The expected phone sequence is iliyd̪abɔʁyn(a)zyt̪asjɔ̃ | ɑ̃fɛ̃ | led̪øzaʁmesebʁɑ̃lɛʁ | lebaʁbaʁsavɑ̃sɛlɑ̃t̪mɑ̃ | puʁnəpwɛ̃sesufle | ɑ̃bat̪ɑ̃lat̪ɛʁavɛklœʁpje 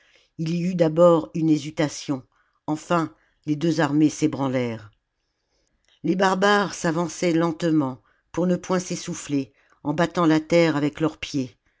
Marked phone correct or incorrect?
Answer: incorrect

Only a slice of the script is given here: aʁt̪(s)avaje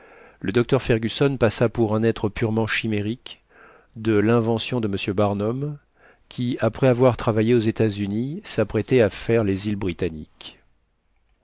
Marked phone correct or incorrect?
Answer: incorrect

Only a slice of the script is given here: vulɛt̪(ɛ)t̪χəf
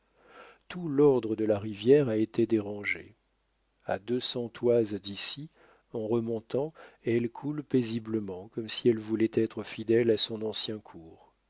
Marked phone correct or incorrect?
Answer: correct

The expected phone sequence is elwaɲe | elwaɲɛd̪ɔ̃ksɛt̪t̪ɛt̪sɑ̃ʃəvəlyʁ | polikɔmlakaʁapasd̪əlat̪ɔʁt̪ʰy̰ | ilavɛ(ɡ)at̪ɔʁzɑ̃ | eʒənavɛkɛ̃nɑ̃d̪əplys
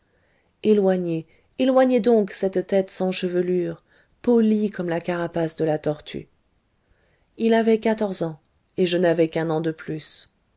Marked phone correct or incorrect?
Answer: incorrect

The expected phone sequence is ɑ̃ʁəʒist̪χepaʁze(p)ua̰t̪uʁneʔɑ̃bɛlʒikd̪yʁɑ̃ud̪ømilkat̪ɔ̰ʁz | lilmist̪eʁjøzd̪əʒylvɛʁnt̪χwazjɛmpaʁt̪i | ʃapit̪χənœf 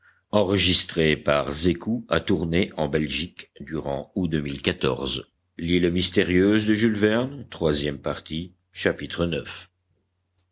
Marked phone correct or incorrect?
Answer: incorrect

